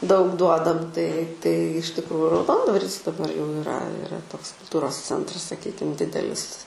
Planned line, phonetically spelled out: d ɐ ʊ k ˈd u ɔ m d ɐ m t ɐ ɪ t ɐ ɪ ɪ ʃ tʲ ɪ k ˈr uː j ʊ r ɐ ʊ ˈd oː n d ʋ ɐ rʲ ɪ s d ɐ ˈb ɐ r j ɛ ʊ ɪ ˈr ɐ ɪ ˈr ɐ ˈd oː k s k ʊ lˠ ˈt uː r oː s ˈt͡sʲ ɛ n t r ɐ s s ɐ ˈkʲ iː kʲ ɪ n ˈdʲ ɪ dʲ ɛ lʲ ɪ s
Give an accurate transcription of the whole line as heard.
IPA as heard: d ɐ ʊ k ˈd u ɔ d ɐ m t ɐ ɪ t ɐ ɪ ɪ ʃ tʲ ɪ k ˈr uː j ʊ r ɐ ʊ ˈd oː n d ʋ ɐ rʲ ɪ s d ɐ ˈb ɐ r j ɛ ʊ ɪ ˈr ɐ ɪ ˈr ɐ ˈt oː k s k ʊ lˠ ˈt uː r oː s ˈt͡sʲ ɛ n t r ɐ s s ɐ ˈkʲ iː kʲ ɪ m ˈdʲ ɪ dʲ ɛ lʲ ɪ s